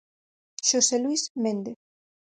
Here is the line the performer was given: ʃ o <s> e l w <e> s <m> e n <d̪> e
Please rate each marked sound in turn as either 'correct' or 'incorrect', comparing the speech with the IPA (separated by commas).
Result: correct, incorrect, correct, correct